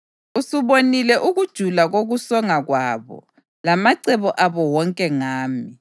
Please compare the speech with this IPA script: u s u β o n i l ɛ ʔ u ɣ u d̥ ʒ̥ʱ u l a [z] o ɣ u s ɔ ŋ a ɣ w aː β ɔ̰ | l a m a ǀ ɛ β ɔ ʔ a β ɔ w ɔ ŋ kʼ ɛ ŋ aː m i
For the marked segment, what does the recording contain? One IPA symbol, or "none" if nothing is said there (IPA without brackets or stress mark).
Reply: ɣ